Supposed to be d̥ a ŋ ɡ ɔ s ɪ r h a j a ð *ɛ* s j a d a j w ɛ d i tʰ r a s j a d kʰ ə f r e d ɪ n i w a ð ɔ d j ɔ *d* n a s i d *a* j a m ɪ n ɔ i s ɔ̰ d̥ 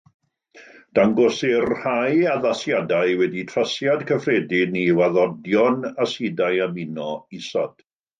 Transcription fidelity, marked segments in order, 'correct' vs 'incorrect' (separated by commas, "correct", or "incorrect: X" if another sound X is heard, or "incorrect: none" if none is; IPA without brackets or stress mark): incorrect: a, incorrect: none, correct